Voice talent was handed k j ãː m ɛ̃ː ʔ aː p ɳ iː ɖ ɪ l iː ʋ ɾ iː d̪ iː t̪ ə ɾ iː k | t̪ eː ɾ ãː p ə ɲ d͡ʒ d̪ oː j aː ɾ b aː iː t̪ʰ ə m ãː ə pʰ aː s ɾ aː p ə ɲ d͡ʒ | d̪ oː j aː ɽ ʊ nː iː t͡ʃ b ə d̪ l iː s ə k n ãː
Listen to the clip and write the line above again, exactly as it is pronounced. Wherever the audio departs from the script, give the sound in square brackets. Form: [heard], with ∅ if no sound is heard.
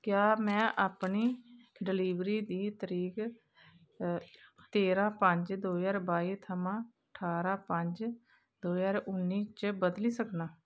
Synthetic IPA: k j [aː] m ɛ̃ː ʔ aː p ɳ iː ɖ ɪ l iː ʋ ɾ iː d̪ iː t̪ ə ɾ iː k | t̪ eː ɾ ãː p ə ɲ d͡ʒ d̪ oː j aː ɾ b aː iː t̪ʰ ə m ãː ə [ʈʰ] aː [∅] ɾ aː p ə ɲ d͡ʒ | d̪ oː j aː [ɾ] ʊ nː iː t͡ʃ b ə d̪ l iː s ə k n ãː